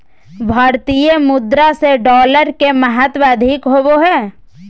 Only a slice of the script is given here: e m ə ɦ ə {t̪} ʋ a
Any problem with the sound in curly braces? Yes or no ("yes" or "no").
no